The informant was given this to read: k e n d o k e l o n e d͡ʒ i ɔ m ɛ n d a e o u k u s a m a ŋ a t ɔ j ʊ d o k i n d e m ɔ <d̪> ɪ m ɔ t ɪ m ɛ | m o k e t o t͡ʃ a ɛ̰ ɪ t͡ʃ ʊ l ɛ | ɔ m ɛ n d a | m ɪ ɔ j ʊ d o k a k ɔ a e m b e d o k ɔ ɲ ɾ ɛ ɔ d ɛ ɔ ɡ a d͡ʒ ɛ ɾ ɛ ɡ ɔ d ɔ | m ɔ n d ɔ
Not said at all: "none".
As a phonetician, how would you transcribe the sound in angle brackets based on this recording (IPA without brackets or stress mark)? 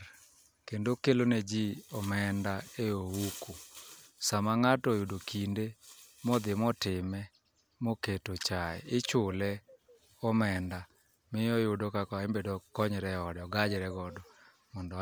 d̪